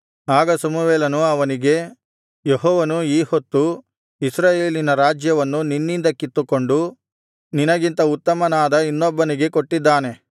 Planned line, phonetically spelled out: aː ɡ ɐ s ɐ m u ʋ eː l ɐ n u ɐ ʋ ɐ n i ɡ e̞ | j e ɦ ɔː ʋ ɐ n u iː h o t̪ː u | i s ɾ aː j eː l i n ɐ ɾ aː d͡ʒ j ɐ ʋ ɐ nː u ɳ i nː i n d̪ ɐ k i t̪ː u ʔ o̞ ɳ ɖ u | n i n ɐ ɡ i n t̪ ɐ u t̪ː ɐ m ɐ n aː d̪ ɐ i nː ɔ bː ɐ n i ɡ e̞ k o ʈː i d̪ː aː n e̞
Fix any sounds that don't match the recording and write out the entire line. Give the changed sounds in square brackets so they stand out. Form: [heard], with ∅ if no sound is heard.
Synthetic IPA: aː ɡ ɐ s ɐ m u ʋ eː l ɐ n u ɐ ʋ ɐ n i ɡ e̞ | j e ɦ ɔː ʋ ɐ n u iː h o t̪ː u | i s ɾ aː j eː l i n ɐ ɾ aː d͡ʒ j ɐ ʋ ɐ nː u [n] i nː i n d̪ ɐ k i t̪ː u [k] o̞ ɳ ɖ u | n i n ɐ ɡ i n t̪ ɐ u t̪ː ɐ m ɐ n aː d̪ ɐ i nː ɔ bː ɐ n i ɡ e̞ k o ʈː i d̪ː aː n e̞